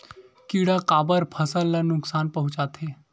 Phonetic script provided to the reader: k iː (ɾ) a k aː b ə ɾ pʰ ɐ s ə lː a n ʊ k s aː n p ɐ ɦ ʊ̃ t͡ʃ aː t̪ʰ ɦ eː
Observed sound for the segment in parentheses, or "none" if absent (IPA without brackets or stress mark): ɽ